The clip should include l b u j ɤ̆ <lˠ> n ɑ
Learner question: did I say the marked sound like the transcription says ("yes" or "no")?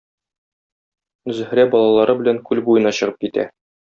no